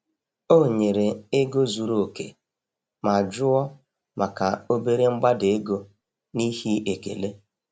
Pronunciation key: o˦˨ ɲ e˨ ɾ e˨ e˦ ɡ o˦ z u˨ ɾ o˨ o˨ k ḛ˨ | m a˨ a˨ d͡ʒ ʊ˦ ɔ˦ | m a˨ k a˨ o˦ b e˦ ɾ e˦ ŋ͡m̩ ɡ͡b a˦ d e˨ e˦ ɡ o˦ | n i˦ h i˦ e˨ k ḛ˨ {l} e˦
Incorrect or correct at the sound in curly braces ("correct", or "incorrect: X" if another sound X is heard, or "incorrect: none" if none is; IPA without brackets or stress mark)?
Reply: correct